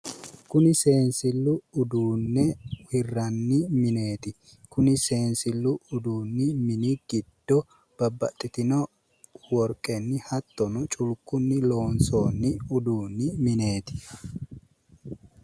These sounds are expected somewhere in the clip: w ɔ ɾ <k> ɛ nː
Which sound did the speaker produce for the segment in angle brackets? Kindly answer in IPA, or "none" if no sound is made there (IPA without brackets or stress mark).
kʼ